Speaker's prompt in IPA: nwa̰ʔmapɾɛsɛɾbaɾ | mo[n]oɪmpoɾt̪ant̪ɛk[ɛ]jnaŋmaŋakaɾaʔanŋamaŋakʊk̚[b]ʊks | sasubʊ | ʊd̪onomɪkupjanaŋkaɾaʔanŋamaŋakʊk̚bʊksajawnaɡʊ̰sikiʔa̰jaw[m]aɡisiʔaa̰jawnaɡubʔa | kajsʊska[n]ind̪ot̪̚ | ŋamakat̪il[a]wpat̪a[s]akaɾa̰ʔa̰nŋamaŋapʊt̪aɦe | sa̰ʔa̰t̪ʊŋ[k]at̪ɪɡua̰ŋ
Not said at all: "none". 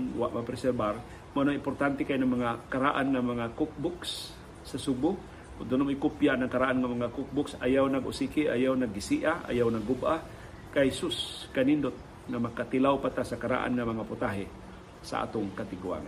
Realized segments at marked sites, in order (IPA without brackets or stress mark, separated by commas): n, a, b, n, n, a, s, k